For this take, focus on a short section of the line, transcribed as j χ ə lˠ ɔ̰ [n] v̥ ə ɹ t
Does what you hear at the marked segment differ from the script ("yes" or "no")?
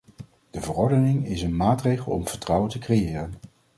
yes